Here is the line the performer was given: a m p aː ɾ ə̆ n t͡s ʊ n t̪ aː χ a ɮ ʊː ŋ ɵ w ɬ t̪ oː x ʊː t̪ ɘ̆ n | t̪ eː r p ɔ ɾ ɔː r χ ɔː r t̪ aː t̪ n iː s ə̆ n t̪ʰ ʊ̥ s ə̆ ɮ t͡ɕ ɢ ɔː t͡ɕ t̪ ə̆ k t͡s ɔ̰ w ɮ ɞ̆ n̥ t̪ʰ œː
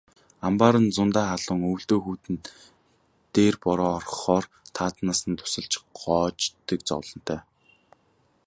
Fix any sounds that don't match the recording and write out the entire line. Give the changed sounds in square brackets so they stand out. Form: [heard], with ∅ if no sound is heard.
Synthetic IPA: a m p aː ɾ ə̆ n t͡s ʊ n t̪ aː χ a ɮ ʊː ŋ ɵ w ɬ t̪ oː x [uː] t̪ ɘ̆ n | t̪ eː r p ɔ ɾ ɔː r χ ɔː r [t̪ʰ] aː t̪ n [aː] s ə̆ n t̪ʰ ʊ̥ s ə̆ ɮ t͡ɕ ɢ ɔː t͡ɕ t̪ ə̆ k t͡s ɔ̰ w ɮ ɞ̆ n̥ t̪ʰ œː